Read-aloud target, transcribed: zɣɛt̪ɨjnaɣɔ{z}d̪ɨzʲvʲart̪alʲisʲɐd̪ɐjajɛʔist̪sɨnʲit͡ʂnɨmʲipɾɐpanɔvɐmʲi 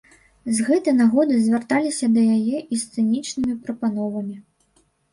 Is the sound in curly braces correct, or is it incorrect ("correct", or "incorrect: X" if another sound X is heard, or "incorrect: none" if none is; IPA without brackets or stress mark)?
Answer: incorrect: none